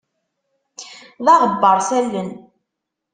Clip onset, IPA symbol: ð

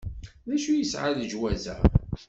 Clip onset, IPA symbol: ð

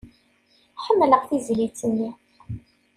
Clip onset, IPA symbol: ħ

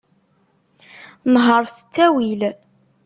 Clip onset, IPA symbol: n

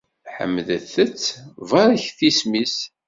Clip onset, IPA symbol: ħ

